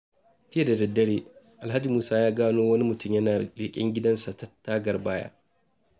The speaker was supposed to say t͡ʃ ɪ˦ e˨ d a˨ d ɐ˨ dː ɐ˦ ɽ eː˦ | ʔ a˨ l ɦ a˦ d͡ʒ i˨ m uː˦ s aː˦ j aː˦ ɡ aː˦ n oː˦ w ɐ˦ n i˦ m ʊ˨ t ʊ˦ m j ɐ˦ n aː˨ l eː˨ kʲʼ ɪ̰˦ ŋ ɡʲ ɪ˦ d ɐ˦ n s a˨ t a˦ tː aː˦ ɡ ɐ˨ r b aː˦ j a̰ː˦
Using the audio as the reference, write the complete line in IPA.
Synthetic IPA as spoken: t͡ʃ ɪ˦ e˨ d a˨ d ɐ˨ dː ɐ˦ ɽ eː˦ | ʔ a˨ l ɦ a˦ d͡ʒ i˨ m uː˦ s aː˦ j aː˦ ɡ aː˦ n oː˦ w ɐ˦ n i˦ m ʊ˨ t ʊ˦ m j ɐ˦ n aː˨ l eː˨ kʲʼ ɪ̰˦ ŋ ɡʲ ɪ˦ d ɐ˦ n s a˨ t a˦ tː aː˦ ɡ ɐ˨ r b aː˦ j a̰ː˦